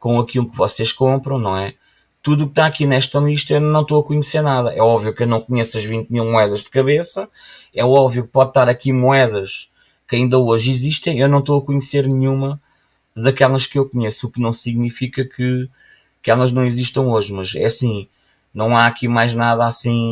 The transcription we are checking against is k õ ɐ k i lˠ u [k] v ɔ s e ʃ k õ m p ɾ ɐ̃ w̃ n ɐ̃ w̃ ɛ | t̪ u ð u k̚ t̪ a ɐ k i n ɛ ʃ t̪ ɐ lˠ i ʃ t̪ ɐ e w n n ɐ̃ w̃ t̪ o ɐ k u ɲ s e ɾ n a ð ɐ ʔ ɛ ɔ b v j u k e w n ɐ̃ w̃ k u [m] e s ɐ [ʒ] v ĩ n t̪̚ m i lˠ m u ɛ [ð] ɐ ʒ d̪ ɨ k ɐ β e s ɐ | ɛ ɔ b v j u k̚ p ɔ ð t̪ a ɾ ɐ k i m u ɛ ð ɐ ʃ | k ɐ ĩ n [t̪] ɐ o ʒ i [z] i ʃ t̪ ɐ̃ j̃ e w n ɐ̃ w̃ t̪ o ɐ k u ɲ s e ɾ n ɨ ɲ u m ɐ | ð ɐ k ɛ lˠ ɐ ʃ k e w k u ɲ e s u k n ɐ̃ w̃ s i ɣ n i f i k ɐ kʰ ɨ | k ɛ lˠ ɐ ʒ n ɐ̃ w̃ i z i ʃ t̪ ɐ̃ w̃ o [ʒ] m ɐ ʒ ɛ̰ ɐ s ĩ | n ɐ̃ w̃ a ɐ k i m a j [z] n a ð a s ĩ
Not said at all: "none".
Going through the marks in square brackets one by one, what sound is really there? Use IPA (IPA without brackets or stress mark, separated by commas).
k, ɲ, ʒ, ð, d̪, z, ʒ, ʒ